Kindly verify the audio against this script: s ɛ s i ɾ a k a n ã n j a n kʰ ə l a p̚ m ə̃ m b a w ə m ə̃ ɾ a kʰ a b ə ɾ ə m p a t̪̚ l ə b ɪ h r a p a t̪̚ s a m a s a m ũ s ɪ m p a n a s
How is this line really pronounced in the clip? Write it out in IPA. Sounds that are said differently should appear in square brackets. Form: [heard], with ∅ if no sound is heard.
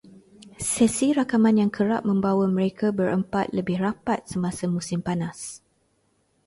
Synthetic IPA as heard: s ɛ s i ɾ a k a [m] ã n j a [ŋ] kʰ ə [ɾ] a p̚ m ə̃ m b a w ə m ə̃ ɾ [e] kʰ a b ə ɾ ə m p a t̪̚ l ə b ɪ h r a p a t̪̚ s [ə] m a s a m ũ s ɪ m p a n a s